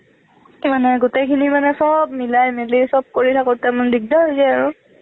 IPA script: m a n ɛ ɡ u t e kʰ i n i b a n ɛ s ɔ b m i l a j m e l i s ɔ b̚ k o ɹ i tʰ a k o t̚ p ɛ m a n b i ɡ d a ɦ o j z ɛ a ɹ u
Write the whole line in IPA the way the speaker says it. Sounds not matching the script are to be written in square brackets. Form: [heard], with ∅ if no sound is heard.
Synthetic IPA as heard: m a n ɛ ɡ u t e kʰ i n i [m] a n ɛ s ɔ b m i l a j m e l i s ɔ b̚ k o ɹ i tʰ a k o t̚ [t] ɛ m a n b i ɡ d a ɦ o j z ɛ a ɹ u